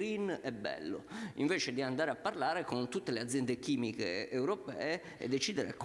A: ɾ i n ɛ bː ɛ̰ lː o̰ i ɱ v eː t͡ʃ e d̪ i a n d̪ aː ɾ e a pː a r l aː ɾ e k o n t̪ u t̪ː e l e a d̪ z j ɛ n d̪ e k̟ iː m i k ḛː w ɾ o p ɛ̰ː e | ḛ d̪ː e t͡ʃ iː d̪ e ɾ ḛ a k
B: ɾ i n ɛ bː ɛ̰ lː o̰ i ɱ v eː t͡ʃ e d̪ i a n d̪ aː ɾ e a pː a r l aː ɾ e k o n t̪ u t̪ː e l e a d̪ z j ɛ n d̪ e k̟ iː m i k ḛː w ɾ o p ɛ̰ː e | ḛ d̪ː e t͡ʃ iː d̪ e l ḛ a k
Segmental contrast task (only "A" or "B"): A